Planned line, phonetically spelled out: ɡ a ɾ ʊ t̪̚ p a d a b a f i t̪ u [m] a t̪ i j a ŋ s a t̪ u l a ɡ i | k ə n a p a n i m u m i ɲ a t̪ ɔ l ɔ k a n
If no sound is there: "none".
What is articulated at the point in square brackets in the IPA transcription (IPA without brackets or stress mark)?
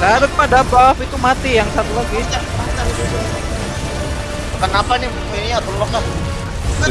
m